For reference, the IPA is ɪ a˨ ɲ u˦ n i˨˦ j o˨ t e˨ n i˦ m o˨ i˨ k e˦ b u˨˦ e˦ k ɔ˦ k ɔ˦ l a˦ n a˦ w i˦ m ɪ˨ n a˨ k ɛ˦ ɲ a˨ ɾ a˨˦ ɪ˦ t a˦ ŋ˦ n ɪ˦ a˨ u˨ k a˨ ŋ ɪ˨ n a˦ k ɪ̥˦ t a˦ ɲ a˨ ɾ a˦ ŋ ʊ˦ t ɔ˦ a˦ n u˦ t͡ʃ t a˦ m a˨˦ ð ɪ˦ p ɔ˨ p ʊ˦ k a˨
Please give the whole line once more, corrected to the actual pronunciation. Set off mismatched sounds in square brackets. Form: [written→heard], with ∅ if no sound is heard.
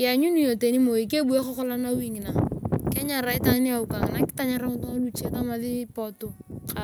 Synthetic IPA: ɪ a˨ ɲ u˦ n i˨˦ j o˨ t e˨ n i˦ m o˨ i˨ k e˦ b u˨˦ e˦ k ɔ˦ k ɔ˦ l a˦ n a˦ w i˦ [m→ŋ] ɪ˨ n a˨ k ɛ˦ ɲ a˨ ɾ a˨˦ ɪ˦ t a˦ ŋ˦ n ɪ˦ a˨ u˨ k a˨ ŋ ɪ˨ n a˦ k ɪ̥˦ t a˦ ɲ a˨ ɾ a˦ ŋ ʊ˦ t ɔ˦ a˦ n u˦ t͡ʃ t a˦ m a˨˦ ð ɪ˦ p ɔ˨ [p→t] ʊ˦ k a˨

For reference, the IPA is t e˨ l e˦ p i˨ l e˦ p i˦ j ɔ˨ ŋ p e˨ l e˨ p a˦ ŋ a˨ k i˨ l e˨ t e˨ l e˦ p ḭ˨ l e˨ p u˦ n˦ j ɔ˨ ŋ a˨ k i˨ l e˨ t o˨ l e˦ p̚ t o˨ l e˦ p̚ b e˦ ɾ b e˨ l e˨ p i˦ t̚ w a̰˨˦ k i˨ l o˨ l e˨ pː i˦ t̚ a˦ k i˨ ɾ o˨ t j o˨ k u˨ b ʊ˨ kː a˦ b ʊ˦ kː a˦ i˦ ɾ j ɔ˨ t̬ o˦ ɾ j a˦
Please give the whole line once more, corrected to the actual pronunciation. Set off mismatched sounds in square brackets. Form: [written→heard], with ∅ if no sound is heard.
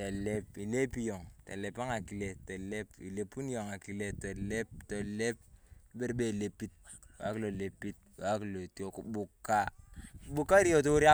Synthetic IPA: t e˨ l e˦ p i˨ l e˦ p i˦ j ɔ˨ ŋ [p→t] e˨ l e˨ p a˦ ŋ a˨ k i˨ l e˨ t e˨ l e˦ p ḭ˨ l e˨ p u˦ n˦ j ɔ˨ ŋ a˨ k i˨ l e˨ t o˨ l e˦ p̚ t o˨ l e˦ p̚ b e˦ ɾ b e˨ l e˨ p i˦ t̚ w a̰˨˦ k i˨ l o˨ l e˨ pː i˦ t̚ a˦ k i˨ [ɾ→l] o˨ t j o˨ k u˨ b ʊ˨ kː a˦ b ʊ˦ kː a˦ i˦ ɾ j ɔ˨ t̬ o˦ ɾ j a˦

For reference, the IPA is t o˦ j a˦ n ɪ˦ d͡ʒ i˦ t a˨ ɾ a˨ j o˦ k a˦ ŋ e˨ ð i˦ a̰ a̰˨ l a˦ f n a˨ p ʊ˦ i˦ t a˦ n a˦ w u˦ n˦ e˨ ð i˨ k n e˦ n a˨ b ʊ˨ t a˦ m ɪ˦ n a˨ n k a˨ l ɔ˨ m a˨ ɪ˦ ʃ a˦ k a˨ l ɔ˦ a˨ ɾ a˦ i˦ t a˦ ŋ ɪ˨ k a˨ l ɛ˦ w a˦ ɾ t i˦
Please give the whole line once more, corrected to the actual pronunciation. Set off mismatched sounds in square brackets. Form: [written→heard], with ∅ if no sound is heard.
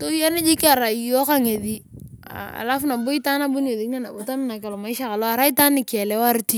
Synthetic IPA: t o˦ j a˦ n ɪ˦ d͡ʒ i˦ [t→k] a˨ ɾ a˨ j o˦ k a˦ ŋ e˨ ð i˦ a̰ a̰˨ l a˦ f n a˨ [p→b] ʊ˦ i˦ t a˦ n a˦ [w→b] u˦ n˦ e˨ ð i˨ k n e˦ n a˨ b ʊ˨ t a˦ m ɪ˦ n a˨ [n→∅] k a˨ l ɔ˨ m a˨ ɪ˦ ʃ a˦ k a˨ l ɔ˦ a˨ ɾ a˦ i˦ t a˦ [ŋ→n] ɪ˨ k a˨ l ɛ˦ w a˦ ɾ t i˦

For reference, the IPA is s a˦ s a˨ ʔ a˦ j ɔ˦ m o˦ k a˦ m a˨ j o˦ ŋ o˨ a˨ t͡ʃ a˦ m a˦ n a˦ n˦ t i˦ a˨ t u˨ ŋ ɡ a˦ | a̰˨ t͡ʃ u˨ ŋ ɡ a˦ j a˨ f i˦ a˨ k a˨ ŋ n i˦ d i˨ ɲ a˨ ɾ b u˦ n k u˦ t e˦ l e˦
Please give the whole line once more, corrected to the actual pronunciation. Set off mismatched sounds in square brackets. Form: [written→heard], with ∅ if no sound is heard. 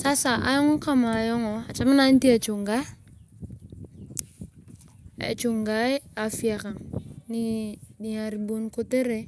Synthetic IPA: s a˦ s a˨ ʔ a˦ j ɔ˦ [m→ŋ] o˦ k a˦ m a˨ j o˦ ŋ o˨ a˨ t͡ʃ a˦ m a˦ n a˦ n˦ t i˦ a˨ [t→t͡ʃ] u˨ ŋ ɡ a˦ | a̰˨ t͡ʃ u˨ ŋ ɡ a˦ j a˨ f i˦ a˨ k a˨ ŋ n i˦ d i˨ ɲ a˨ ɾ b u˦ n k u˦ t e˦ [l→ɾ] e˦

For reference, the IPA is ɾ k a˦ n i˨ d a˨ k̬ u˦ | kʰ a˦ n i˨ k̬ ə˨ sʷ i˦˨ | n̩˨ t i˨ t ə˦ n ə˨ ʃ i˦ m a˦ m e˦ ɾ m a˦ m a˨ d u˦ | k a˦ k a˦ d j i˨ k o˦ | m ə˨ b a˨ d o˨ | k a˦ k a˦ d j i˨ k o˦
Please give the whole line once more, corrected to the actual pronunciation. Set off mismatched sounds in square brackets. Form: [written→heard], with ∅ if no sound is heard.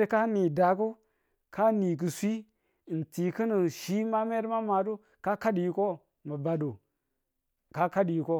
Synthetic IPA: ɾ k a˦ n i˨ d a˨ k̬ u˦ | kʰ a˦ n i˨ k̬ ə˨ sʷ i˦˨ | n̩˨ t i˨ [t→k] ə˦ n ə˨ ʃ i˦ m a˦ m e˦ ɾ m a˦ m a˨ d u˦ | k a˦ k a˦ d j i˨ k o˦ | m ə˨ b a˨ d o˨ | k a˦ k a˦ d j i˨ k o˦

